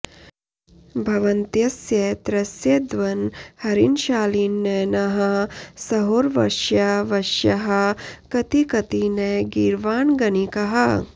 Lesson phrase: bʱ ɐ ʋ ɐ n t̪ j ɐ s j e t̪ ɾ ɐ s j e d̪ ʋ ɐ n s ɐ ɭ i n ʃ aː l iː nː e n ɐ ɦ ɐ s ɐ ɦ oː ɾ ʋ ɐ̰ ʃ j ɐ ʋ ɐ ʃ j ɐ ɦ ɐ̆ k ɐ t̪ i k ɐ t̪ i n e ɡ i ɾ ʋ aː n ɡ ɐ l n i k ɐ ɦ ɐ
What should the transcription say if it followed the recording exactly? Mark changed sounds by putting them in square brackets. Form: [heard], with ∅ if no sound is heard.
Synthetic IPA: bʱ ɐ ʋ ɐ n t̪ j ɐ s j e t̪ ɾ ɐ s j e d̪ ʋ ɐ n [h] ɐ [ɾ] i n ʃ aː l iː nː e n ɐ ɦ ɐ s ɐ ɦ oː ɾ ʋ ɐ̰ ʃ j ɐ ʋ ɐ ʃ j ɐ ɦ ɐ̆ k ɐ t̪ i k ɐ t̪ i n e ɡ i ɾ ʋ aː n ɡ ɐ [∅] n i k ɐ ɦ ɐ